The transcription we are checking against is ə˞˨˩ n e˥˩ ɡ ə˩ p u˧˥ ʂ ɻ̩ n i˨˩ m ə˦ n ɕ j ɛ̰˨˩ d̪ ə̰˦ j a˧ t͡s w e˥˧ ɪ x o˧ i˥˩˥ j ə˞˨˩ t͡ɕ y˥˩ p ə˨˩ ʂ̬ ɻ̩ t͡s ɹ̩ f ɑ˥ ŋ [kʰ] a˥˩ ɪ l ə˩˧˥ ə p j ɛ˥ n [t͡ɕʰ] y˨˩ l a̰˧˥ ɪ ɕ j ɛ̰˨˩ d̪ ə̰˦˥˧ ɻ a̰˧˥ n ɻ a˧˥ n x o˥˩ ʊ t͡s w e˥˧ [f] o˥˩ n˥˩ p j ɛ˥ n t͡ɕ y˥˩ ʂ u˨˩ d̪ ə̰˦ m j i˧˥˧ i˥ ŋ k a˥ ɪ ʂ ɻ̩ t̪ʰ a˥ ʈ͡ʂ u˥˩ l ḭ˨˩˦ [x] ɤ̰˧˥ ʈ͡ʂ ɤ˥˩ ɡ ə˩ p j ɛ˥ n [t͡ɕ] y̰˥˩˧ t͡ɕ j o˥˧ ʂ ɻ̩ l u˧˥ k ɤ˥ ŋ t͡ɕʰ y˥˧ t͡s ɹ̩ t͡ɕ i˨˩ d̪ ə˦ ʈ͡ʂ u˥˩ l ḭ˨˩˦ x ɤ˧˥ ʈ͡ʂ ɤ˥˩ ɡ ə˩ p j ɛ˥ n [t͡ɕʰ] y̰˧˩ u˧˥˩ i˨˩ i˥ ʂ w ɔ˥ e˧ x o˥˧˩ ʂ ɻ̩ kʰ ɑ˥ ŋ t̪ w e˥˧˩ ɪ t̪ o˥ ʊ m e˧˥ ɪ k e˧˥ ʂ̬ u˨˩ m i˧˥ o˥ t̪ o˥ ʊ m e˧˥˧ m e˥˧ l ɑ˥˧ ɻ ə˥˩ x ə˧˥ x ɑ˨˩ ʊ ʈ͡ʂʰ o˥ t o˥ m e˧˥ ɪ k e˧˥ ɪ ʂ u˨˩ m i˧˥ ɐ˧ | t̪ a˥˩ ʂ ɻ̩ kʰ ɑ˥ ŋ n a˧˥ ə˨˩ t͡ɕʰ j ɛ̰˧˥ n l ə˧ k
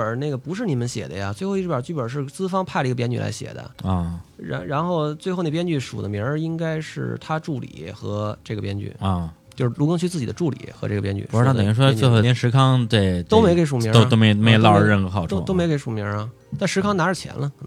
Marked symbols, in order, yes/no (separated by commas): no, no, no, yes, yes, no